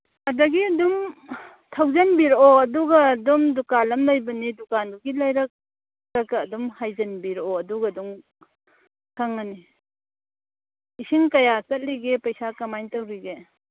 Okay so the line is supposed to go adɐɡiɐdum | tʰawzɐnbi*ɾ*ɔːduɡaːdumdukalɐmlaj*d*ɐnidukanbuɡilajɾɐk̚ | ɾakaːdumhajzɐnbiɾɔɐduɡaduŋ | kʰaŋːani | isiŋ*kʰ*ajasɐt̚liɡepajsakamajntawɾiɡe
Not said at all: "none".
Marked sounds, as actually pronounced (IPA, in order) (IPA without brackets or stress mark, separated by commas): ɾ, b, k